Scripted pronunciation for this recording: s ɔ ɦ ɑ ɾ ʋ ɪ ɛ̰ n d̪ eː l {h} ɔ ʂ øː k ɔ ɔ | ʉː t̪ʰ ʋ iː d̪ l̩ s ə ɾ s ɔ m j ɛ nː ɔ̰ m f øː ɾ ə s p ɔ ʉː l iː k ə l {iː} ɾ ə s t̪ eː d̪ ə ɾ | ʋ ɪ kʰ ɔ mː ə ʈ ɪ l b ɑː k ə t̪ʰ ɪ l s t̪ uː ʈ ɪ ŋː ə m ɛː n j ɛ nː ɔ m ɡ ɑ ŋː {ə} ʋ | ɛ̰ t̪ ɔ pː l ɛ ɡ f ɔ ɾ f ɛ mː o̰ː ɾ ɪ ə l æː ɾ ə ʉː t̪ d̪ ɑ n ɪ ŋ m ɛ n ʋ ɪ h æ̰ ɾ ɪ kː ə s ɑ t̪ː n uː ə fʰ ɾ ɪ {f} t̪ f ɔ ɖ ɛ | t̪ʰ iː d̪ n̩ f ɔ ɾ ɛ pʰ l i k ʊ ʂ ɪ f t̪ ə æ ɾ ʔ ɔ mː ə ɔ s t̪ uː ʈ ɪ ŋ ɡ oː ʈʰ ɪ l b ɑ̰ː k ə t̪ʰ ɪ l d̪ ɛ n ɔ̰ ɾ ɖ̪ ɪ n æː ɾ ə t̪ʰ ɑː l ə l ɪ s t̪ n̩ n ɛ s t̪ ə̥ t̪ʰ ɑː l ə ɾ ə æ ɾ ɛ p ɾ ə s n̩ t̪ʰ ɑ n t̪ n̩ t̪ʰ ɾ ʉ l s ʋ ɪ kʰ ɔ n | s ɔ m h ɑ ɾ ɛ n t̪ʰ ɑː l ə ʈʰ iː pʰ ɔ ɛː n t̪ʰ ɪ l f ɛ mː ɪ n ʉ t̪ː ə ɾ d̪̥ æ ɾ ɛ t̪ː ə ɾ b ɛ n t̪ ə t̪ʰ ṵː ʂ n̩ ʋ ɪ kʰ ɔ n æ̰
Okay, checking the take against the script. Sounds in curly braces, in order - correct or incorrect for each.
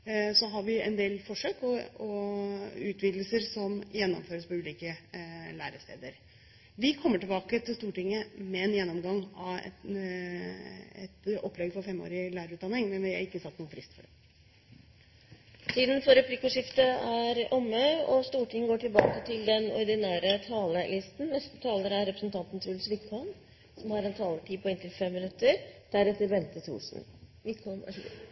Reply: incorrect, incorrect, incorrect, incorrect

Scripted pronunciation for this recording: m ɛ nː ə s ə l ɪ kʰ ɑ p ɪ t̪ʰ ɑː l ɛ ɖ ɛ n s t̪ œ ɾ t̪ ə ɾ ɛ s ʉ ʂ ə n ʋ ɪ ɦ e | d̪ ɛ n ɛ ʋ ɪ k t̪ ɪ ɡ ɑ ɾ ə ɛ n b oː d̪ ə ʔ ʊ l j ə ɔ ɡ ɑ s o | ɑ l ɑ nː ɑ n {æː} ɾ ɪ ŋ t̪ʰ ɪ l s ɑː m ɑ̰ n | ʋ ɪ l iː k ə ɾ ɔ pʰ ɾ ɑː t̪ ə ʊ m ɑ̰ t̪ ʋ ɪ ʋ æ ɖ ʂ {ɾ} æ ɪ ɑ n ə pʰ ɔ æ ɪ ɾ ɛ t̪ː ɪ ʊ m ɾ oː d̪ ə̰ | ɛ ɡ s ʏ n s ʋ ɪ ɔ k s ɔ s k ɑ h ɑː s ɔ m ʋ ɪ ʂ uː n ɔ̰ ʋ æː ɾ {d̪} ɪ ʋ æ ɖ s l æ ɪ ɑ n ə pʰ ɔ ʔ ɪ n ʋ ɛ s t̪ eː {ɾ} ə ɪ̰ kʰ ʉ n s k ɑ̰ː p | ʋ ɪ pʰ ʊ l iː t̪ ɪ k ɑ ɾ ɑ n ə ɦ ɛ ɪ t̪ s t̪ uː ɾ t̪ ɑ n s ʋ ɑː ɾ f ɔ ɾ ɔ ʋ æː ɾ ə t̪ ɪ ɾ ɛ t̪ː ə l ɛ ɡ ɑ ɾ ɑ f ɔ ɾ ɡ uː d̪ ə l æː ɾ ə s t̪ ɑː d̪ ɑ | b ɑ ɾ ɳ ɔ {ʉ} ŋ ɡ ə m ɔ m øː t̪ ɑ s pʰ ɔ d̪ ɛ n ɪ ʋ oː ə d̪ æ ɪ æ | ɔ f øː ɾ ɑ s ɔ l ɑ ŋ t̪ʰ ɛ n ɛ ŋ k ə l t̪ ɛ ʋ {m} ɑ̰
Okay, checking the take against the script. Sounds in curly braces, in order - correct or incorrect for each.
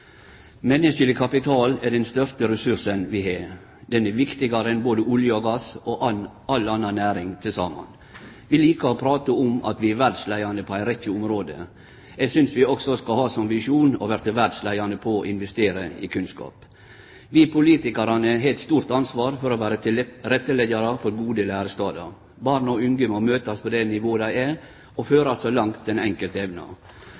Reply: correct, incorrect, incorrect, correct, correct, incorrect

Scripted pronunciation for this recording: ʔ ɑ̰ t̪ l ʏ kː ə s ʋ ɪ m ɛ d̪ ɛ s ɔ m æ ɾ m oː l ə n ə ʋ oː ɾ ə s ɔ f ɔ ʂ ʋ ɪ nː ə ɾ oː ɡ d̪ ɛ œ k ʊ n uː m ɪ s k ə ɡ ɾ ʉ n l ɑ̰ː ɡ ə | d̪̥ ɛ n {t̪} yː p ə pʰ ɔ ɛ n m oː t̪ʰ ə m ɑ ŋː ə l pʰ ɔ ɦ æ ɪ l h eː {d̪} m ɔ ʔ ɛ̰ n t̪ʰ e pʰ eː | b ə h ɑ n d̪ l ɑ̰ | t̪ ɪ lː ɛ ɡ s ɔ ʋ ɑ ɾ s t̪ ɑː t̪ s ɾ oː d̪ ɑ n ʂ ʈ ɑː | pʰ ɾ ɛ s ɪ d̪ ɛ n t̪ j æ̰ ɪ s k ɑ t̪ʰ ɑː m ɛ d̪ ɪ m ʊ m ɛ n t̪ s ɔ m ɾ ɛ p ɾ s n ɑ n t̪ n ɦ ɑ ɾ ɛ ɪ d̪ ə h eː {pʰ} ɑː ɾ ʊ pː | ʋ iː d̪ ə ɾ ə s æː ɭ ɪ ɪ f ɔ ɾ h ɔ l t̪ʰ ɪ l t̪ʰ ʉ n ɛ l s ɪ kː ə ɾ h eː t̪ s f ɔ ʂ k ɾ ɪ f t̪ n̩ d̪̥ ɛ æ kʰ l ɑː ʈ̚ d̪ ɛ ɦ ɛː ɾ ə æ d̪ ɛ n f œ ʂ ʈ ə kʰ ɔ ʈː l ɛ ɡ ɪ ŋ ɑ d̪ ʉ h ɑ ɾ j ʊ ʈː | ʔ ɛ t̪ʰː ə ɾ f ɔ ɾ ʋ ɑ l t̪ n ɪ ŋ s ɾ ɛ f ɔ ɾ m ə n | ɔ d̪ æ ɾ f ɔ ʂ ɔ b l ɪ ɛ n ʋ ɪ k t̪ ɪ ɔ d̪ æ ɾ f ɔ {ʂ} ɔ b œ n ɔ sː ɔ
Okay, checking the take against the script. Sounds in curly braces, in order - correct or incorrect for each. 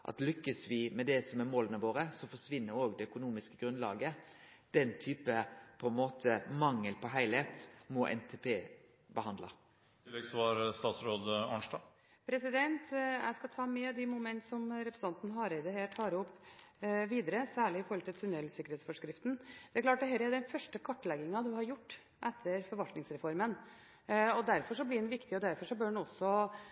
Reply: incorrect, incorrect, incorrect, correct

